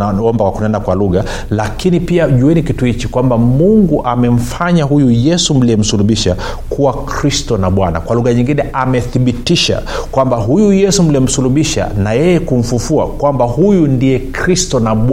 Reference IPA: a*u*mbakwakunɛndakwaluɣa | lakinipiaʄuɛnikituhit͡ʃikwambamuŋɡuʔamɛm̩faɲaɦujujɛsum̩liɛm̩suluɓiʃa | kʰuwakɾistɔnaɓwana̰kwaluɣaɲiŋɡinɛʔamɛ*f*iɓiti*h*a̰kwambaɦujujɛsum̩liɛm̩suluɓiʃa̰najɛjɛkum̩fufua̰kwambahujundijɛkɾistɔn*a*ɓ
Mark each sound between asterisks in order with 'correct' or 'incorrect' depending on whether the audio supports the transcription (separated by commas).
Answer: incorrect, incorrect, incorrect, correct